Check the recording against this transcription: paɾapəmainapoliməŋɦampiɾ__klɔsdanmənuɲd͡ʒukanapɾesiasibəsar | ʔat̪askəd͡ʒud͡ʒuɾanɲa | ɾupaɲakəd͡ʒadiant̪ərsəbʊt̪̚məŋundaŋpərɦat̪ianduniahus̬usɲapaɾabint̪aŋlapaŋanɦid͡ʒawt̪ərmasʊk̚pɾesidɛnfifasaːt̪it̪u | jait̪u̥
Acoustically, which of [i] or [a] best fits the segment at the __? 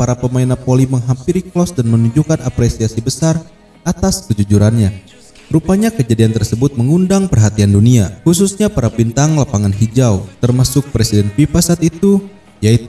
i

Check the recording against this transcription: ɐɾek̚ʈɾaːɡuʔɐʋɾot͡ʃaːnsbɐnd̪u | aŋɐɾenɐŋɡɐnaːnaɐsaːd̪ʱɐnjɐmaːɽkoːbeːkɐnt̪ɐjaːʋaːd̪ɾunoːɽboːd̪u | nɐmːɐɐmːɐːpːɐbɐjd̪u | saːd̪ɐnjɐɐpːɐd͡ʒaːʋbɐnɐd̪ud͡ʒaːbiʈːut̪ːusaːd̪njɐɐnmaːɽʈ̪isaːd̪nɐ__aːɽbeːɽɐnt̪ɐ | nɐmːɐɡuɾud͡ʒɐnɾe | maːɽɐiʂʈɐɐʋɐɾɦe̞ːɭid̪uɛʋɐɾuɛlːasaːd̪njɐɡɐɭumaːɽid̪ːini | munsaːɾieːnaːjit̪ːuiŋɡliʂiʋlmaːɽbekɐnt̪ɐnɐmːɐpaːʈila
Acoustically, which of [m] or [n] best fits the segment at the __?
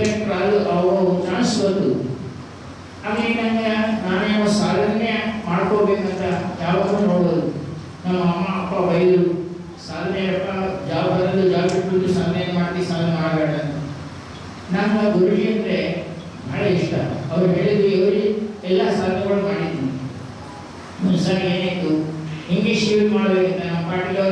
m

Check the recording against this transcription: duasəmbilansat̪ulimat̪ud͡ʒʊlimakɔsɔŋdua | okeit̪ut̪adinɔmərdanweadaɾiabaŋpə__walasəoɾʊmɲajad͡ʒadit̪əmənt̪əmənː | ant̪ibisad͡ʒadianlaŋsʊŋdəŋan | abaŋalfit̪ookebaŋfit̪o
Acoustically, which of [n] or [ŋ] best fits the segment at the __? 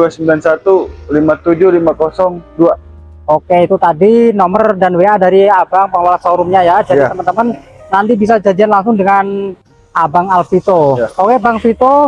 ŋ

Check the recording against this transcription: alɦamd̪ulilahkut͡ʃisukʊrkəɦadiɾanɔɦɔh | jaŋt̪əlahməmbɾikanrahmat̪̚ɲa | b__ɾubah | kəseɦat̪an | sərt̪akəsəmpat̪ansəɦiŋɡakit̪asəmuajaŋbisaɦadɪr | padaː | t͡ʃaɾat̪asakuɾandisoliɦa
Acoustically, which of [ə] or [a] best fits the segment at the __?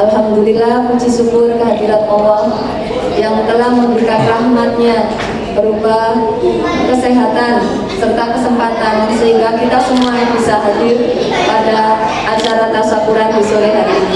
ə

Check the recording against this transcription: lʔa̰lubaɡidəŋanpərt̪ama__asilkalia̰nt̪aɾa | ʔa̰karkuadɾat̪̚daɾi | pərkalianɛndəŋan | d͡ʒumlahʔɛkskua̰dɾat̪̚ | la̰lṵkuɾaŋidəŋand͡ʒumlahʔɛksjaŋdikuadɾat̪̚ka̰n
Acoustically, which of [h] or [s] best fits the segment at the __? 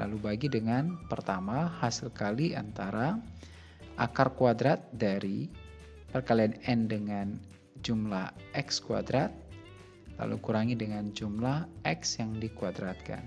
h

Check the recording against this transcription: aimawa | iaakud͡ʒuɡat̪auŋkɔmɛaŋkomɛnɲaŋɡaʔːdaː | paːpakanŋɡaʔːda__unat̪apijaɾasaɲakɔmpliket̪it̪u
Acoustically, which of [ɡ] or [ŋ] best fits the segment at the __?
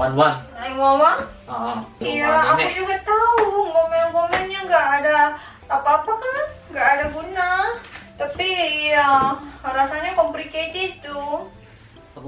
ɡ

